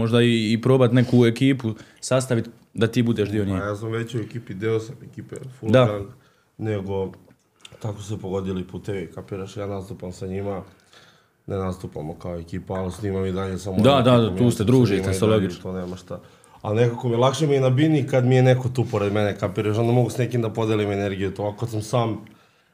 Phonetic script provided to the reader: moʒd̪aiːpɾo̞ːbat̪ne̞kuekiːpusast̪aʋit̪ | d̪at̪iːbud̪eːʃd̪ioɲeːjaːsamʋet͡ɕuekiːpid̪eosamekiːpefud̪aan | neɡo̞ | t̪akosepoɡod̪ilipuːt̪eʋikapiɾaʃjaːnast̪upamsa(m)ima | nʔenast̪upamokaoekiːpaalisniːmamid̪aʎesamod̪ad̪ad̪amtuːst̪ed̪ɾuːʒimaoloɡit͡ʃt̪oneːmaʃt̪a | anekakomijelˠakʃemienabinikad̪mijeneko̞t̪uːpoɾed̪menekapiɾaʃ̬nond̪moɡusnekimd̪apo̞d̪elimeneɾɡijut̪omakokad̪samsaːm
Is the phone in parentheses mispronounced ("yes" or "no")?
yes